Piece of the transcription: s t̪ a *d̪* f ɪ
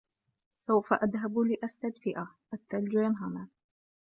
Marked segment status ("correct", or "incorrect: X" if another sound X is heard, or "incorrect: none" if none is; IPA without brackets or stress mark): correct